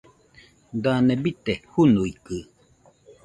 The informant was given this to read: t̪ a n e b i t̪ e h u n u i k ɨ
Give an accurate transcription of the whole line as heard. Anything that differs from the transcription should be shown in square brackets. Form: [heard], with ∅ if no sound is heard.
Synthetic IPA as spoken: [d̪] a n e b i t̪ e h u n u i k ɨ